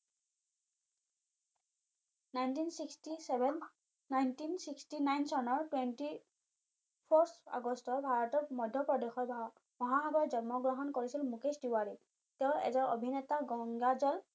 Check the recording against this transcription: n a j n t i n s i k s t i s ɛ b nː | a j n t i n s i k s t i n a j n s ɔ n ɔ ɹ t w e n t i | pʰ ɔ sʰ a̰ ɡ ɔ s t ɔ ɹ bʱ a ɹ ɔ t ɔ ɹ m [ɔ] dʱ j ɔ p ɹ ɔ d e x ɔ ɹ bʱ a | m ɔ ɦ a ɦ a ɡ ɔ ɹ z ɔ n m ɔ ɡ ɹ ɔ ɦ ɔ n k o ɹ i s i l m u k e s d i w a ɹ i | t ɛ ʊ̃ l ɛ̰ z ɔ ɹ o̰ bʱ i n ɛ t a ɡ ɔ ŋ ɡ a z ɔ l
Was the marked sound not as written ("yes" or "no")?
no